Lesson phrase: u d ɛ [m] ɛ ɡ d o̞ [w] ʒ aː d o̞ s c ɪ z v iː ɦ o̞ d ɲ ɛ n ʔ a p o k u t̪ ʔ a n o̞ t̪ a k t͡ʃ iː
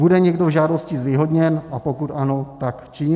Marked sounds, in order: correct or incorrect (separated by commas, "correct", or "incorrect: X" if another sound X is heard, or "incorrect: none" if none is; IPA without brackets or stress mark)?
incorrect: ɲ, incorrect: v